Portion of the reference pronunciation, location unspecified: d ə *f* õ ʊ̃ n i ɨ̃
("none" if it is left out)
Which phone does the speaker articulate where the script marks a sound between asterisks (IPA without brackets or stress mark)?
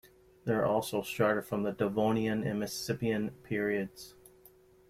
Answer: v